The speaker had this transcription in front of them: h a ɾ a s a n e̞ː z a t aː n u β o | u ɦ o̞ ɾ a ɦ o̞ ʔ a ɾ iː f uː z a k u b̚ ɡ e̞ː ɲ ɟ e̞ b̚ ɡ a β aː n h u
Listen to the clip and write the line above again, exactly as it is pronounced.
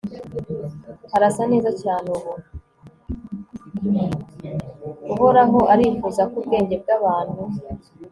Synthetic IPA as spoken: h a ɾ a s a n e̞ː z a c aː n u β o | u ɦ o̞ ɾ a ɦ o̞ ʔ a ɾ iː f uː z a k u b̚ ɡ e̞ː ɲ ɟ e̞ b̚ ɡ a β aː n h u